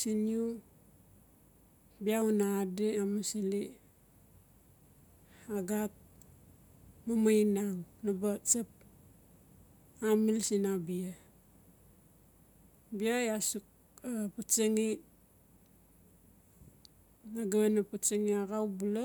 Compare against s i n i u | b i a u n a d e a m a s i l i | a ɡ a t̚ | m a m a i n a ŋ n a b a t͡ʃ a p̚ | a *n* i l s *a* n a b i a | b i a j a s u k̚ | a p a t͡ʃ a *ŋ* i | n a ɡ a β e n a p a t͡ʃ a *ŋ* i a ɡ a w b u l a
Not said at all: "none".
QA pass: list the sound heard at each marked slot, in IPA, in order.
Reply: m, i, ŋ, ŋ

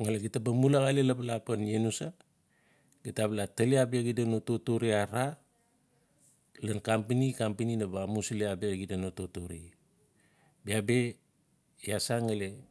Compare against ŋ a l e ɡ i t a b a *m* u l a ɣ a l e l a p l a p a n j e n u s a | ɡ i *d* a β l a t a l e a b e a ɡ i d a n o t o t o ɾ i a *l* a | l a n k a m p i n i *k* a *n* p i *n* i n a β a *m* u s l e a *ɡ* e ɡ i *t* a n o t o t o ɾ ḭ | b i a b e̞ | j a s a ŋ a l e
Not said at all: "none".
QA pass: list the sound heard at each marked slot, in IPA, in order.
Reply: m, t, ɾ, k, m, n, m, b, d

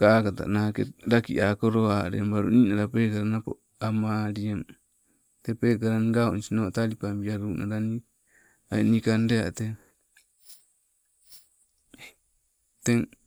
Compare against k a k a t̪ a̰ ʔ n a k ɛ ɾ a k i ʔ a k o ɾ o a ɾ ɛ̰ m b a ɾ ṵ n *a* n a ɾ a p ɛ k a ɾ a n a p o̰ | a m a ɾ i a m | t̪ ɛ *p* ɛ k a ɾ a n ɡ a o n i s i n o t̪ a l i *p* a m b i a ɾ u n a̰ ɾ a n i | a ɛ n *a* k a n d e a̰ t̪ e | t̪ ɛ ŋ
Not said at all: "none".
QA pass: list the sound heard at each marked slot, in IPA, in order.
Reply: i, p, p, i

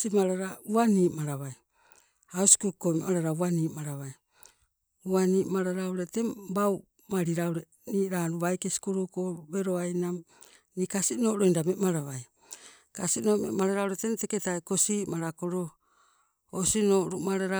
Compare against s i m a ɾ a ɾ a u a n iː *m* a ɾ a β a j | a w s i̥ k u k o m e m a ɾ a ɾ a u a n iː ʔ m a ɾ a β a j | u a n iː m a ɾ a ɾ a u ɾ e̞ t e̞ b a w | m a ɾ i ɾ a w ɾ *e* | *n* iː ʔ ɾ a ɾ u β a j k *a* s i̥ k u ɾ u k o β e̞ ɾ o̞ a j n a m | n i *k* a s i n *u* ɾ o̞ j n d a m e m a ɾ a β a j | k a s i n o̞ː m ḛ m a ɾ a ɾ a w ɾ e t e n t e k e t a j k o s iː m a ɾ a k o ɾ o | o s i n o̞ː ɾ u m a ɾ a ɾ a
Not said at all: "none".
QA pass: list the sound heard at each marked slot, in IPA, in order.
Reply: m, e, n, e, k, o

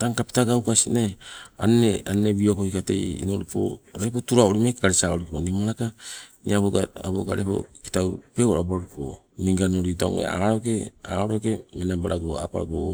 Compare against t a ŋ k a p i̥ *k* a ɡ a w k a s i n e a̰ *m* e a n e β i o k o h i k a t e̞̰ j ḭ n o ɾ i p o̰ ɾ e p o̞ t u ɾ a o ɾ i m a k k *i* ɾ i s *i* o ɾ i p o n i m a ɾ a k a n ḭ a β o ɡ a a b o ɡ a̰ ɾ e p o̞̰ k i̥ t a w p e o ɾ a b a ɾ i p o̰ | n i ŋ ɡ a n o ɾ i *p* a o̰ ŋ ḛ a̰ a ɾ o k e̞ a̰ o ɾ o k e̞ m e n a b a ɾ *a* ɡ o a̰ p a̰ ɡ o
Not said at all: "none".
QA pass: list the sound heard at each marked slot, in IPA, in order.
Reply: t, n, a, a, t, a

